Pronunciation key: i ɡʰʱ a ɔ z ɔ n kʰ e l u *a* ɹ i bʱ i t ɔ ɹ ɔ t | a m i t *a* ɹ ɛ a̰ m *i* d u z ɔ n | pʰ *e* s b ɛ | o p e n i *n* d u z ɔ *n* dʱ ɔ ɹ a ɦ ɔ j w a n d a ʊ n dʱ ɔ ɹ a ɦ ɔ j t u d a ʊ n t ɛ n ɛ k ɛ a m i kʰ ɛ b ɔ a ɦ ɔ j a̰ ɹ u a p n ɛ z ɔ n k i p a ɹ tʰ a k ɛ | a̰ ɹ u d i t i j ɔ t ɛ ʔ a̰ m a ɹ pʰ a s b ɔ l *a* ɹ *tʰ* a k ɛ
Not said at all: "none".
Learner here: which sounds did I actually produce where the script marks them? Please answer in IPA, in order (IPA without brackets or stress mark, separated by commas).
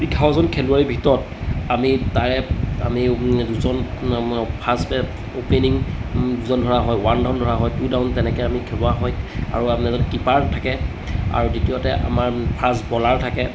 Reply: a, a, i, a, ŋ, n, a, tʰ